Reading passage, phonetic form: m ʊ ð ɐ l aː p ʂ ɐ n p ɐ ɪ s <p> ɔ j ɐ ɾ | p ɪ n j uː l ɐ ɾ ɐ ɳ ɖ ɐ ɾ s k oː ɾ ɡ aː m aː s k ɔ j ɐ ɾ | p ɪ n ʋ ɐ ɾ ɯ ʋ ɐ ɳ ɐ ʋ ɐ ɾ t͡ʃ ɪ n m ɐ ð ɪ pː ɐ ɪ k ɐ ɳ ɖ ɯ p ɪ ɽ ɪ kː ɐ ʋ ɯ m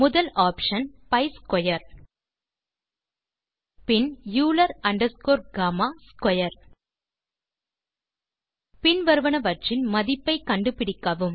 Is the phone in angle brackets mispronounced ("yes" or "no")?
yes